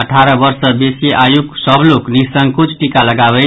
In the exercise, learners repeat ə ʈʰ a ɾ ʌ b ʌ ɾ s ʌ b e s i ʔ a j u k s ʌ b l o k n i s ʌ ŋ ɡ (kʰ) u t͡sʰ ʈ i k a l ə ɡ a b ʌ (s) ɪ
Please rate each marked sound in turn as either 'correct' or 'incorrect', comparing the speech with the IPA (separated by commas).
incorrect, incorrect